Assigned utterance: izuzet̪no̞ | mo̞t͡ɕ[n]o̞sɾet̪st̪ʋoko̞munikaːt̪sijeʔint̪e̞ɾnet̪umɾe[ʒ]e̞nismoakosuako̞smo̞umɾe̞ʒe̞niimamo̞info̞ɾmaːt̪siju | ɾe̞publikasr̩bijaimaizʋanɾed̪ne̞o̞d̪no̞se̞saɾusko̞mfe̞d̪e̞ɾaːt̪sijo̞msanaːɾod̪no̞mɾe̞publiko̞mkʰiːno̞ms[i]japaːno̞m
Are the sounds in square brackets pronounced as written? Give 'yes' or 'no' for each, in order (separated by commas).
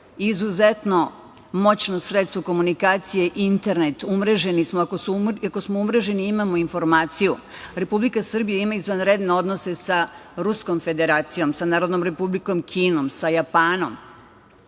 yes, yes, no